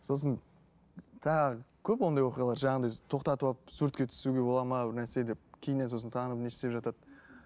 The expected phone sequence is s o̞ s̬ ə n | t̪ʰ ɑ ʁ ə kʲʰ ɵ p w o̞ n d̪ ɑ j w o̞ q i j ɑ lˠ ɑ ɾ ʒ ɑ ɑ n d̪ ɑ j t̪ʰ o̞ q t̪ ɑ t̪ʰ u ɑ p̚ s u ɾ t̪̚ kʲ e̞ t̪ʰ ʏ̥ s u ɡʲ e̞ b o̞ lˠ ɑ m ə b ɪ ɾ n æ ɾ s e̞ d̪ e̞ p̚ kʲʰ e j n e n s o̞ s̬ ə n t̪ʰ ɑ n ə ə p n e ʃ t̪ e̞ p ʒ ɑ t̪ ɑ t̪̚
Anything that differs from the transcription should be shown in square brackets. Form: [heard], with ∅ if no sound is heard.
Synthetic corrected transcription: s o̞ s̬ ə n | t̪ʰ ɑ ʁ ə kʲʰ ɵ p w o̞ n d̪ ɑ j w o̞ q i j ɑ lˠ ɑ ɾ ʒ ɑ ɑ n d̪ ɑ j t̪ʰ o̞ q t̪ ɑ [t̪] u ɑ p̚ s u ɾ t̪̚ kʲ e̞ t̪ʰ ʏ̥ s u ɡʲ e̞ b o̞ lˠ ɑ m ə b ɪ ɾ n æ ɾ s e̞ d̪ e̞ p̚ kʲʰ e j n e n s o̞ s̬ ə n t̪ʰ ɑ n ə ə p n e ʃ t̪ e̞ p ʒ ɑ t̪ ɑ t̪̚